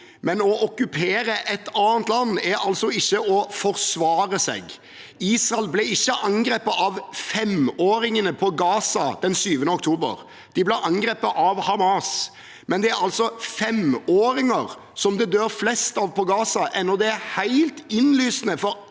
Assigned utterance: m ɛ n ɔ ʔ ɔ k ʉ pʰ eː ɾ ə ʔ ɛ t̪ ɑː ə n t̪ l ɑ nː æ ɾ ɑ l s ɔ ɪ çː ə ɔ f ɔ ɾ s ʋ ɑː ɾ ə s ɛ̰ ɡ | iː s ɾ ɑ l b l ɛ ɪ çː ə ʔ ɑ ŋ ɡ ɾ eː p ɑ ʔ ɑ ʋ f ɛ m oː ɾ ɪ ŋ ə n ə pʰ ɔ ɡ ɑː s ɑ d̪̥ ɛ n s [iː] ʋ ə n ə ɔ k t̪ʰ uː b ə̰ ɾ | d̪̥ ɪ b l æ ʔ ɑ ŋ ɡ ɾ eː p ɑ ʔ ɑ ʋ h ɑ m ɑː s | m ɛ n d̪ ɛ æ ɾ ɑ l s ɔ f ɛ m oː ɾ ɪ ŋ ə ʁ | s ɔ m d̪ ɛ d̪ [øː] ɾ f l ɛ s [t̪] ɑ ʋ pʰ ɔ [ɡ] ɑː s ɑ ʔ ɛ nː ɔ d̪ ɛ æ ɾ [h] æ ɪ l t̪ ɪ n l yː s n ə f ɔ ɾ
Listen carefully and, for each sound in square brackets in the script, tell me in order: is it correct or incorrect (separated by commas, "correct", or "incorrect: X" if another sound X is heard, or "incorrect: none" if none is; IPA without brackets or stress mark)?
incorrect: yː, correct, correct, correct, correct